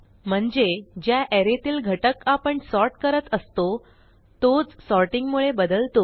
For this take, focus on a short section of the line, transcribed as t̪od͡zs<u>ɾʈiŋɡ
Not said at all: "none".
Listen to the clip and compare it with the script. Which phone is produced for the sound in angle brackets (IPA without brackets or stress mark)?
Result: ɔ